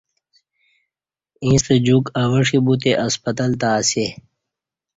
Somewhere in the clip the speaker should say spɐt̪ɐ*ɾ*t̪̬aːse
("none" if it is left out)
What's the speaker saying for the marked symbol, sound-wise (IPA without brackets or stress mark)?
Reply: l